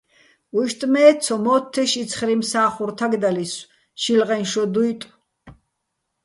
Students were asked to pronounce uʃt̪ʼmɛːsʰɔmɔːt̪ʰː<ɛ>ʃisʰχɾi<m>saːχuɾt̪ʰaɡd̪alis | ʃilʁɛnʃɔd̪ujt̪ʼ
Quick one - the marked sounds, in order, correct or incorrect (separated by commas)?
correct, correct